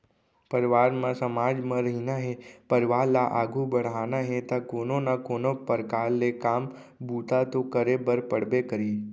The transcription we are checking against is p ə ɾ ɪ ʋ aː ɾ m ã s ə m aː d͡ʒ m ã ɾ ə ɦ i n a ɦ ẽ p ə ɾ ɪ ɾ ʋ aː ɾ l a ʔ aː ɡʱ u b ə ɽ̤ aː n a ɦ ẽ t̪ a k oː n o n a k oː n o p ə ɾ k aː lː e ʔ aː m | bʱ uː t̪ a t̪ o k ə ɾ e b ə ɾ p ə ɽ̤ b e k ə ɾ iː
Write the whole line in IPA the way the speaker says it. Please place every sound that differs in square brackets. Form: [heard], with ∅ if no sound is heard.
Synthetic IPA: p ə ɾ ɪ ʋ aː ɾ m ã s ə m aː d͡ʒ m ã ɾ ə ɦ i n a ɦ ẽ p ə ɾ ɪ [∅] ʋ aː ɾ l a ʔ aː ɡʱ u b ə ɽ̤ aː n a ɦ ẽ t̪ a k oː n o n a k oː n o p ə ɾ k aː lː e [k] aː m | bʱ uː t̪ a t̪ o k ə ɾ e b ə ɾ p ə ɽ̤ b e k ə ɾ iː